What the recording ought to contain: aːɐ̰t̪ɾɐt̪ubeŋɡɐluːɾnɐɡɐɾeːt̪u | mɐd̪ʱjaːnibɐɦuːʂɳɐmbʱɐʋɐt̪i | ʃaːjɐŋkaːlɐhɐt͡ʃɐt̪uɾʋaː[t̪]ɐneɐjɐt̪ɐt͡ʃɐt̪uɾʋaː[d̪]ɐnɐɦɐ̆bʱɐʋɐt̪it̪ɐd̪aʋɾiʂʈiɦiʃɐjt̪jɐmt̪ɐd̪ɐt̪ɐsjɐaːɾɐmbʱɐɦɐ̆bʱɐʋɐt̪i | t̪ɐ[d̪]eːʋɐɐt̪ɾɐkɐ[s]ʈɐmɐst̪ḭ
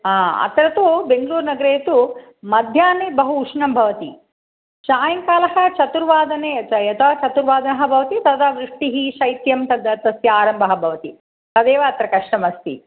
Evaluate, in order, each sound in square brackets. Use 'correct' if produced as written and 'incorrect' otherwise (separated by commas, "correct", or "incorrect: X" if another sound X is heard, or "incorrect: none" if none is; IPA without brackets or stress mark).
incorrect: d̪, correct, correct, incorrect: ʂ